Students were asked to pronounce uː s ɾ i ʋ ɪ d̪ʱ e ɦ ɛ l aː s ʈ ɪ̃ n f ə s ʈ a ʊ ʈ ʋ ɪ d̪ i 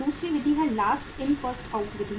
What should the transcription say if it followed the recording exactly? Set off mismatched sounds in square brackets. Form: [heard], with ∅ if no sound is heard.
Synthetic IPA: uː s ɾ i ʋ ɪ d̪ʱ [i] ɦ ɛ l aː s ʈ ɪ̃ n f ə s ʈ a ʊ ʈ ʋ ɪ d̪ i

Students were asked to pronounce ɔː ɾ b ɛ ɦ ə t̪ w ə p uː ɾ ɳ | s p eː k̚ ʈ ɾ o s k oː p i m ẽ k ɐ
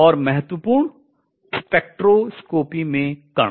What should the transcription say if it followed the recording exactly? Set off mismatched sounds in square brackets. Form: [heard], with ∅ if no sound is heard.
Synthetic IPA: ɔː ɾ [m] ɛ ɦ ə t̪ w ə p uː ɾ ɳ | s p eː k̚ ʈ ɾ o s k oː p i m ẽ k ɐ

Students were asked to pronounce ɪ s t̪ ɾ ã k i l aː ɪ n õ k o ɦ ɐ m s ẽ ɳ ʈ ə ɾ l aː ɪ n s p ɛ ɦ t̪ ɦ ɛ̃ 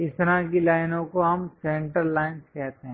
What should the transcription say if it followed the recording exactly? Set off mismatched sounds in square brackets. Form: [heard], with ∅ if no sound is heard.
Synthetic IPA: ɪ s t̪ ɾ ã k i l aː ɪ n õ k o ɦ ɐ m s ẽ ɳ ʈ ə ɾ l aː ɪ n s [k] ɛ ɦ t̪ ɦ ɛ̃

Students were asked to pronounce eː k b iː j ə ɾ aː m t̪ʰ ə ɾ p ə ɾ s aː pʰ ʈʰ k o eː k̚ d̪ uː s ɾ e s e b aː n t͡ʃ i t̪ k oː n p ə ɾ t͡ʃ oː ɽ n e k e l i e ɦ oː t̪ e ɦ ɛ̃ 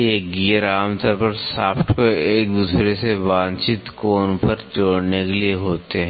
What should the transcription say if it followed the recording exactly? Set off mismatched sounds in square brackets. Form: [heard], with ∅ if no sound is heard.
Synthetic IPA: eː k [ɡ] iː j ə ɾ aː m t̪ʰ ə ɾ p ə ɾ s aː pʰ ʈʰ k o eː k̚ d̪ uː s ɾ e s e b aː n t͡ʃ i t̪ k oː n p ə ɾ t͡ʃ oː ɽ n e k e l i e ɦ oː t̪ e ɦ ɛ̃

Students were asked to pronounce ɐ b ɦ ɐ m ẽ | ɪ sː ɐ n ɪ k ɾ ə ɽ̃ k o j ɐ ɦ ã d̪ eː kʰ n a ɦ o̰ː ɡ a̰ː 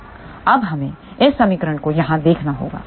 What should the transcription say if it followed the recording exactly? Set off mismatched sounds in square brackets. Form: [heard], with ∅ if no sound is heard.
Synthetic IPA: ɐ b ɦ ɐ m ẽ | ɪ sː ɐ [m] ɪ k ɾ ə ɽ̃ k o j ɐ ɦ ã d̪ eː kʰ n a ɦ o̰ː ɡ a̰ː

